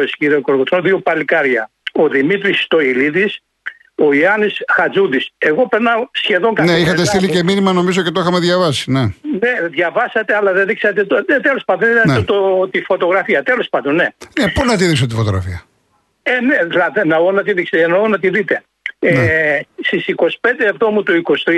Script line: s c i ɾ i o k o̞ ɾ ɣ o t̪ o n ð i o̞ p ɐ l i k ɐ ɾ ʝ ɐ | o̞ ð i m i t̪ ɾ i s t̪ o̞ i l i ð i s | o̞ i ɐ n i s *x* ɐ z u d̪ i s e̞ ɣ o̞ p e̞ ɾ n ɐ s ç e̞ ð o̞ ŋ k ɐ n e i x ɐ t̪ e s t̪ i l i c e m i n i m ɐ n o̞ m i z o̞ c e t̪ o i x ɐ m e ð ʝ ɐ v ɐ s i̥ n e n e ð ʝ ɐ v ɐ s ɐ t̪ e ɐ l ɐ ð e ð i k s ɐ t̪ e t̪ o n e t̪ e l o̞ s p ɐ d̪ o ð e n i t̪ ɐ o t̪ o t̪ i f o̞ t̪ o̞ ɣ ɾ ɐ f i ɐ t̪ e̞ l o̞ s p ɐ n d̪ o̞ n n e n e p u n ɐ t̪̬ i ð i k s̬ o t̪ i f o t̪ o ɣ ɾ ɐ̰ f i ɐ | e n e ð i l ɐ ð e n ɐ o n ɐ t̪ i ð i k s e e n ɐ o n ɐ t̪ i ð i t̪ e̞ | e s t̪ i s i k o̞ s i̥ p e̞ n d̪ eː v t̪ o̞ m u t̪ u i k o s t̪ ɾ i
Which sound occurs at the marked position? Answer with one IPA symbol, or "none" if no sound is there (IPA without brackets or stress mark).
x